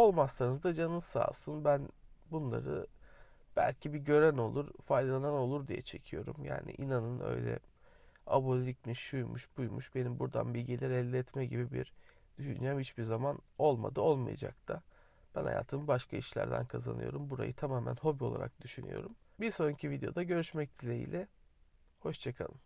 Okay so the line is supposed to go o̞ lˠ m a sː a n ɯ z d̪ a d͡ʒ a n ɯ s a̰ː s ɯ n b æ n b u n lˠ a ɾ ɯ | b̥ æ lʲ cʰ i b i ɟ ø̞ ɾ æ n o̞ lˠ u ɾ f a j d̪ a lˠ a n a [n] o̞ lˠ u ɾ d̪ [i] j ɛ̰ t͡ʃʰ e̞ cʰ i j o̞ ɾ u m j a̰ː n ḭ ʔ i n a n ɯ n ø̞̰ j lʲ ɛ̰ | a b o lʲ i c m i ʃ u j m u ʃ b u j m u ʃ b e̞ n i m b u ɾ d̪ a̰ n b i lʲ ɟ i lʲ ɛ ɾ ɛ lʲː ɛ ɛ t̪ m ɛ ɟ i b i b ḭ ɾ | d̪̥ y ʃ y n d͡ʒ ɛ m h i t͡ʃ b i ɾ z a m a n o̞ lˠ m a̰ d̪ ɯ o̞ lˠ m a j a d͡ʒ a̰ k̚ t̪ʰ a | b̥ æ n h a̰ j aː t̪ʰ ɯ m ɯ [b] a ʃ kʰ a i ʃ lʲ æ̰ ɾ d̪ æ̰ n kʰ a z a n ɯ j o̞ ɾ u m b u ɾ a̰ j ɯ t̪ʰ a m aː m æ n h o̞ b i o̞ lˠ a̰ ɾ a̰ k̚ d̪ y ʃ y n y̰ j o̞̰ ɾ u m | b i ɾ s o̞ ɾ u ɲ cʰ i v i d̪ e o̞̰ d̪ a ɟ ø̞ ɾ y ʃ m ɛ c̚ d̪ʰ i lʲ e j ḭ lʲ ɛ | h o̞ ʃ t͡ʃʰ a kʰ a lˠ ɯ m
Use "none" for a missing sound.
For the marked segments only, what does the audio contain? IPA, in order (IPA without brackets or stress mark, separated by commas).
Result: n, i, b